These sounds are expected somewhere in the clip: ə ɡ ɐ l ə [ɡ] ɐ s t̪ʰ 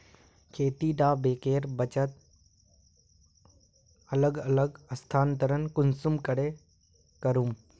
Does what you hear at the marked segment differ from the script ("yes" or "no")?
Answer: no